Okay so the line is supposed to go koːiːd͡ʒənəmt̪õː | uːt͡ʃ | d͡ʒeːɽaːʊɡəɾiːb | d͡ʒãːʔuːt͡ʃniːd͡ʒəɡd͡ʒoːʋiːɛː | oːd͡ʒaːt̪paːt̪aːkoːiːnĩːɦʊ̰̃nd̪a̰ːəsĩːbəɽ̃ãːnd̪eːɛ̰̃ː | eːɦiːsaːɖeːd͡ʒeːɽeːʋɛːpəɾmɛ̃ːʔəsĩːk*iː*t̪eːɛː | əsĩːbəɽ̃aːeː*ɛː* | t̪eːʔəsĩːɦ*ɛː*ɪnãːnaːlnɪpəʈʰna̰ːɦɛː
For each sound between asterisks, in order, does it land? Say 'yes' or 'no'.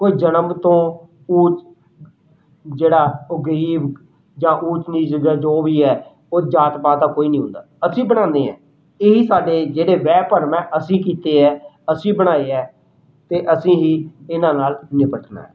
yes, yes, no

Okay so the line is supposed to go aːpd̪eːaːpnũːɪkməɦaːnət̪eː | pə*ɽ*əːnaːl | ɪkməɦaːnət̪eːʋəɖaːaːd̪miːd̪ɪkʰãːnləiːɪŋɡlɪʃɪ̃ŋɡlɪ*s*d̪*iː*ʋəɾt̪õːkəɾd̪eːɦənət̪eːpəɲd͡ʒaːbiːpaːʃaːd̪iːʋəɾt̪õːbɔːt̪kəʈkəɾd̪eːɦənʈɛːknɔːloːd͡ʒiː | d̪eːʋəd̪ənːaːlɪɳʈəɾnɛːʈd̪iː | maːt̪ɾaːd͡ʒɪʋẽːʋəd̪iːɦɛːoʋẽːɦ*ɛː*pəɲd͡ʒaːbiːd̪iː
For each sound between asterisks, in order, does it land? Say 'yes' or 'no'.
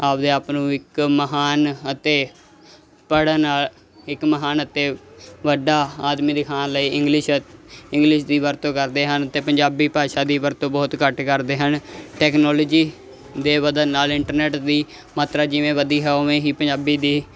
yes, no, yes, no

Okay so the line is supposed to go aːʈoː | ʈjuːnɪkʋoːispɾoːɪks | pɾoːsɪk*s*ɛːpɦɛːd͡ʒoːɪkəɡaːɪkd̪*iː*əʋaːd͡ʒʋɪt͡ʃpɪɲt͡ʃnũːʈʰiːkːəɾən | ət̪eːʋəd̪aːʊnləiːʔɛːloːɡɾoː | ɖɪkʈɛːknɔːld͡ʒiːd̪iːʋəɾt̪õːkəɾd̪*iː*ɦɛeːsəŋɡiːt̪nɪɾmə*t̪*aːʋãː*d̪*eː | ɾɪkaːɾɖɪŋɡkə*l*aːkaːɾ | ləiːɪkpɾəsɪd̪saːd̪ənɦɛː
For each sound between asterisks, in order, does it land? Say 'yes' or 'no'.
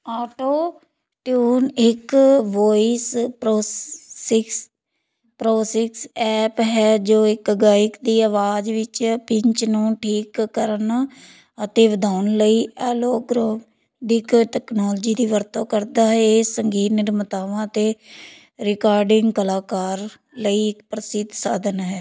yes, yes, no, yes, no, yes

